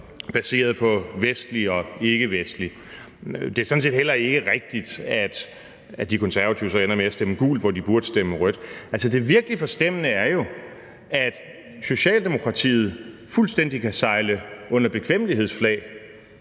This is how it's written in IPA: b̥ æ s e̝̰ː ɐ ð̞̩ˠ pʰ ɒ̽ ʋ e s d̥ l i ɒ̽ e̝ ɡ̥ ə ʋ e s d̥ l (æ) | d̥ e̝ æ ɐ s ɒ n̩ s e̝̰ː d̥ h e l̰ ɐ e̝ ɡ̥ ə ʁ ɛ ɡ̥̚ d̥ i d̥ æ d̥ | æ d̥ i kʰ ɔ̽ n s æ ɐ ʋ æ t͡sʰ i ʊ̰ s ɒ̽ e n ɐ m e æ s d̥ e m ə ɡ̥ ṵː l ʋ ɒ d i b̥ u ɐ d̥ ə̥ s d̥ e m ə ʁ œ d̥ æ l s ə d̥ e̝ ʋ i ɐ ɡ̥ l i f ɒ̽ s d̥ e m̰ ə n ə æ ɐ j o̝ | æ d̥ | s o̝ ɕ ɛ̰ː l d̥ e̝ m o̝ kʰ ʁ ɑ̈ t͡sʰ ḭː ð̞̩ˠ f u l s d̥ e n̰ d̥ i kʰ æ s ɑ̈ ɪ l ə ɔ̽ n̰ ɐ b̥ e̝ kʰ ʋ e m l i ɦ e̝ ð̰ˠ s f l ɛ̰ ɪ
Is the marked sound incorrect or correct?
incorrect